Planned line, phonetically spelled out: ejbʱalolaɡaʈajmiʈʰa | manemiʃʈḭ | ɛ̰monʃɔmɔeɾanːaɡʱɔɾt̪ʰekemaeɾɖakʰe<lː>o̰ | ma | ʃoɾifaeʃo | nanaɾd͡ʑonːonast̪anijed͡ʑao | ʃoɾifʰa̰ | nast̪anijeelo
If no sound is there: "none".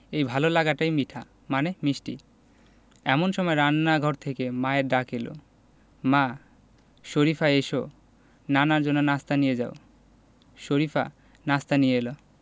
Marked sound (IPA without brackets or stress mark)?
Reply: l